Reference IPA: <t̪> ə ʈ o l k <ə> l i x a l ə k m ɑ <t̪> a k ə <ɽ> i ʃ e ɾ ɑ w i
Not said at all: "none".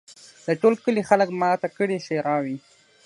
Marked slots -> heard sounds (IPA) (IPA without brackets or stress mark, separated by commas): d̪, ə, t̪, ɽ